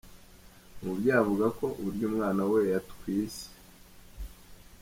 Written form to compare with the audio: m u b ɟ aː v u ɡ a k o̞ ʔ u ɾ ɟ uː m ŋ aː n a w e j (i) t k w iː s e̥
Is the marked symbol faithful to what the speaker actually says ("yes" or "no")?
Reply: no